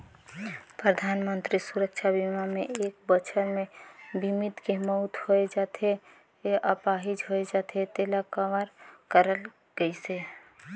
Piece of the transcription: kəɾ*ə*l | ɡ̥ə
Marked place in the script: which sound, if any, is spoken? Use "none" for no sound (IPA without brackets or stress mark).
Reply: ə